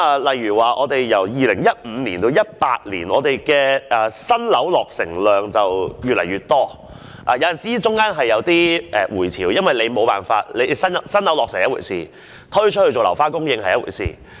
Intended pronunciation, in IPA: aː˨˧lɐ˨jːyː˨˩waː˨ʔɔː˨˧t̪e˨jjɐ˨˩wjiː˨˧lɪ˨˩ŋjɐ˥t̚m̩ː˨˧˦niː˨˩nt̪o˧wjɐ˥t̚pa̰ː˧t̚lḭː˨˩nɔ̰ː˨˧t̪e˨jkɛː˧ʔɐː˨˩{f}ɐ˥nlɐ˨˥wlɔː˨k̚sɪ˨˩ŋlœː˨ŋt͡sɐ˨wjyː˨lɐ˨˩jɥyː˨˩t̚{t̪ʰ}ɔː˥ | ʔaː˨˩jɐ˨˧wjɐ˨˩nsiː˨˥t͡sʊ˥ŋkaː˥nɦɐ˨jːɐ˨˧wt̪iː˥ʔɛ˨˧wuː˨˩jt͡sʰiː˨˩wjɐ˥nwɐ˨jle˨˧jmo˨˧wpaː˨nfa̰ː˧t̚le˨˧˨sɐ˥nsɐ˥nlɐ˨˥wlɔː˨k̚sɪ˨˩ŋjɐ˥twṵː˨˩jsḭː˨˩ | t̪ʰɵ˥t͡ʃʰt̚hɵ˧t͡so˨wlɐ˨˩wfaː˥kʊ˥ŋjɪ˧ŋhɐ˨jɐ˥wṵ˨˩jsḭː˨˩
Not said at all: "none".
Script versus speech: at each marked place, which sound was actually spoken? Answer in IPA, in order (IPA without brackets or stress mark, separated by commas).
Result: s, t̪